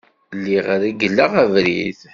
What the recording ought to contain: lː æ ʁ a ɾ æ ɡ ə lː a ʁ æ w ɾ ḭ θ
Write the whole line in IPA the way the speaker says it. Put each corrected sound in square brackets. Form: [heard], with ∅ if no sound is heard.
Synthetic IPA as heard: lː [i] ʁ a ɾ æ ɡ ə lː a ʁ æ [v] ɾ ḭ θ